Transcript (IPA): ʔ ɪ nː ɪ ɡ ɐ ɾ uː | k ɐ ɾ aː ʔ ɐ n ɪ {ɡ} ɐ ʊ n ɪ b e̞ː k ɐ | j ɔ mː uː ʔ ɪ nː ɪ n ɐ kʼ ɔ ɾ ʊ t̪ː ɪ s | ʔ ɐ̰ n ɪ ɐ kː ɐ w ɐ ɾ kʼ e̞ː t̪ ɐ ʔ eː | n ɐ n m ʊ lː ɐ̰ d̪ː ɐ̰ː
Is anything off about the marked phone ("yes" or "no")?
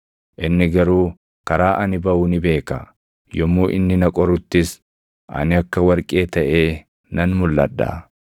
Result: yes